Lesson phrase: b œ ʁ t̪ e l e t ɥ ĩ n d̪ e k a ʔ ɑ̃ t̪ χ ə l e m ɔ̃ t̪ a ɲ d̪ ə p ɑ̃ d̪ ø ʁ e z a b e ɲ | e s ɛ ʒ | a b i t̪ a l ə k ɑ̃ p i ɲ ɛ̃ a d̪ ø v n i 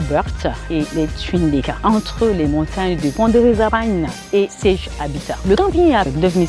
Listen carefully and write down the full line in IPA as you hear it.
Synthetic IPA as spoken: b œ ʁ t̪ e l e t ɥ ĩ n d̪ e k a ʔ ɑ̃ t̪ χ ə l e m ɔ̃ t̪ a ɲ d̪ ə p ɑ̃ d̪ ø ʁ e z a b a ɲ | e s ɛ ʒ | a b i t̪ a l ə k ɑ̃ p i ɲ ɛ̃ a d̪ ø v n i